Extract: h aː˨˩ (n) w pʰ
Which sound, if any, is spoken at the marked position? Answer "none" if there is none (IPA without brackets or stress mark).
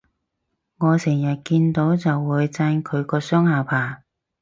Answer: none